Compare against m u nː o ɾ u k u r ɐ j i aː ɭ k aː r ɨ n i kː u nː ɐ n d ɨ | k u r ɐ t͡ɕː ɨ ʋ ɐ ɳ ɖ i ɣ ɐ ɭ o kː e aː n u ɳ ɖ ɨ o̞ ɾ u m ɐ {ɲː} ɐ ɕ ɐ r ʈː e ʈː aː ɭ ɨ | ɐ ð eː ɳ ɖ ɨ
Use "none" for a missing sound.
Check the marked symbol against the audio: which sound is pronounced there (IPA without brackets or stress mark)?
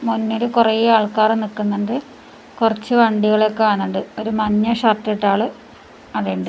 ɲː